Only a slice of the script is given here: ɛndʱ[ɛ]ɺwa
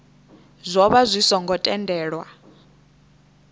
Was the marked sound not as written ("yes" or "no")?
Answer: yes